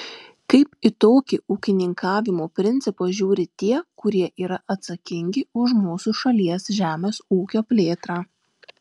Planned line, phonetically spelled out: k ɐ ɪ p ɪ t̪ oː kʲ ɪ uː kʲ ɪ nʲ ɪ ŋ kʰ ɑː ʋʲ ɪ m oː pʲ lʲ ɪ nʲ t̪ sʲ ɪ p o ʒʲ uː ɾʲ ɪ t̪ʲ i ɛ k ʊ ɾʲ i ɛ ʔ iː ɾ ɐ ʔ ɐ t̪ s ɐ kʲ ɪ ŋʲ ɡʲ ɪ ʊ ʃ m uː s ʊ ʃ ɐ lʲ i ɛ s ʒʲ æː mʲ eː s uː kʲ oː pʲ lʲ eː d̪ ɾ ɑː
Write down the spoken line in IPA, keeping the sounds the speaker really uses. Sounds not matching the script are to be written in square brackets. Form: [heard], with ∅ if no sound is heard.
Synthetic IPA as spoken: k ɐ ɪ p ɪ t̪ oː kʲ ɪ uː kʲ ɪ nʲ ɪ ŋ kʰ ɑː ʋʲ ɪ m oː pʲ [ɾʲ] ɪ nʲ t̪ sʲ ɪ p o ʒʲ uː ɾʲ ɪ t̪ʲ i ɛ k ʊ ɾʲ i ɛ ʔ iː ɾ ɐ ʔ ɐ t̪ s ɐ kʲ ɪ ŋʲ ɡʲ ɪ ʊ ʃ m uː s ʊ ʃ ɐ lʲ i ɛ s ʒʲ æː mʲ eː s uː kʲ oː pʲ lʲ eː [t̪] ɾ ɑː

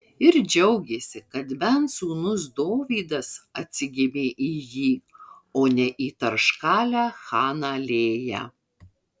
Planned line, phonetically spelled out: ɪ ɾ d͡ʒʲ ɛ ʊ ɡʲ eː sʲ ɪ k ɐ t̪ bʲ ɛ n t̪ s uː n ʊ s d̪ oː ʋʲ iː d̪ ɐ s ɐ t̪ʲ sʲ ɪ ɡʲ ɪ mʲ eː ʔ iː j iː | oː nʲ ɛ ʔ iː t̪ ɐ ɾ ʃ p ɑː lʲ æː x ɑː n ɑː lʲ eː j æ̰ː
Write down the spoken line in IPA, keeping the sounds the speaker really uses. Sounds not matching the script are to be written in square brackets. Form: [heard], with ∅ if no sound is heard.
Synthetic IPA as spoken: ɪ ɾ d͡ʒʲ ɛ ʊ ɡʲ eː sʲ ɪ k ɐ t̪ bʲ ɛ n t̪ s uː n ʊ s d̪ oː ʋʲ iː d̪ ɐ s ɐ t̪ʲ sʲ ɪ ɡʲ ɪ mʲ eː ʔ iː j iː | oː nʲ ɛ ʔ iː t̪ ɐ ɾ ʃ [k] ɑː lʲ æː x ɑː n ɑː lʲ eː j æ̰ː

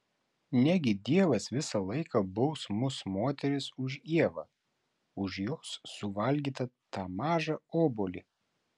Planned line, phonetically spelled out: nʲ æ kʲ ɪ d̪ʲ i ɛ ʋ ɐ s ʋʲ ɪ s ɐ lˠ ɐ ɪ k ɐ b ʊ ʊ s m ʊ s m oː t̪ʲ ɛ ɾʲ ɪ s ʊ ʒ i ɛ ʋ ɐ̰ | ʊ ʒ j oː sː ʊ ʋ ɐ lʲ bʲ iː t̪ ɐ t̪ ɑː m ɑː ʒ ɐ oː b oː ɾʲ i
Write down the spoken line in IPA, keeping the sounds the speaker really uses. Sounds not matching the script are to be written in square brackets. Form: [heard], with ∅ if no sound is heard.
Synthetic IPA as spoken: nʲ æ [ɡʲ] ɪ d̪ʲ i ɛ ʋ ɐ s ʋʲ ɪ s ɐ lˠ ɐ ɪ k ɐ b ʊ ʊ s m ʊ s m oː t̪ʲ ɛ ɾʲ ɪ s ʊ ʒ i ɛ ʋ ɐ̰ | ʊ ʒ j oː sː ʊ ʋ ɐ lʲ [ɡʲ] iː t̪ ɐ t̪ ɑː m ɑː ʒ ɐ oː b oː [lʲ] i

